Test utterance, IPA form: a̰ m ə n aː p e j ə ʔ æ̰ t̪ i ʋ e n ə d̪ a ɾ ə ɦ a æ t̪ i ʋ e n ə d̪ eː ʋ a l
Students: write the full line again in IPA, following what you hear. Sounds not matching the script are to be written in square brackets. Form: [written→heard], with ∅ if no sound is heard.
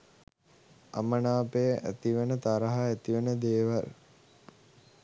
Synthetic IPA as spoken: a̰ m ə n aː p e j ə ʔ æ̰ t̪ i ʋ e n ə [d̪→t̪] a ɾ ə ɦ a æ t̪ i ʋ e n ə d̪ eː ʋ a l